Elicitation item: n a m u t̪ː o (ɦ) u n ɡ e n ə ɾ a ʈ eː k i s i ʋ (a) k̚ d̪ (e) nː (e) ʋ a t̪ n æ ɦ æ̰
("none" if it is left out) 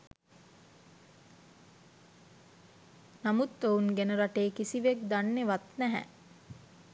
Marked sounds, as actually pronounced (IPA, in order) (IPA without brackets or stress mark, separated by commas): none, e, a, e